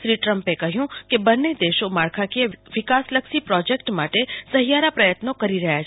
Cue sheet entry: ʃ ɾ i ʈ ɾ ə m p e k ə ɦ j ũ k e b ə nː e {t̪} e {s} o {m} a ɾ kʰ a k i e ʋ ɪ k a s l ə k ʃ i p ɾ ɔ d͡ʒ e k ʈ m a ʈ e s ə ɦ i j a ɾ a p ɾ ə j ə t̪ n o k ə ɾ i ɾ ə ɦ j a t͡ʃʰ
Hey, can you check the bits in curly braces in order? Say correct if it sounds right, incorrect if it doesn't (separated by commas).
incorrect, incorrect, correct